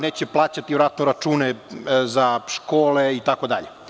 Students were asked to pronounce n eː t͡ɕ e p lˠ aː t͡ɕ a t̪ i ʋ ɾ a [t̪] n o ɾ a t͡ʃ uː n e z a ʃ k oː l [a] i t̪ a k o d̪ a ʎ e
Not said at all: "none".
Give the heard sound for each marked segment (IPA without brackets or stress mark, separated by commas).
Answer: t̪, e